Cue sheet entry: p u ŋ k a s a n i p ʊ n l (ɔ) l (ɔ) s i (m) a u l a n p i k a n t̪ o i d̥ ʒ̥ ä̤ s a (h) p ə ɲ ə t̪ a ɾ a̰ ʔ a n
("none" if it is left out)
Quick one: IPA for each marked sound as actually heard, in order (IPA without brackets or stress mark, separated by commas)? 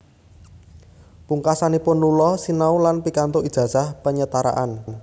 u, ɔ, n, h